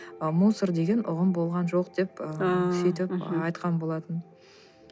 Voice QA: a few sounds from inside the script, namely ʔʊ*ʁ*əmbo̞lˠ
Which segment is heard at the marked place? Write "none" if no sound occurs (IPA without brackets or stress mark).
ʁ